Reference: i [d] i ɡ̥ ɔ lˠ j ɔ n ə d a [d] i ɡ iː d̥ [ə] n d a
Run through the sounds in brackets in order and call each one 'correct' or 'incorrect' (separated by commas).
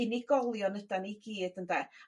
incorrect, incorrect, correct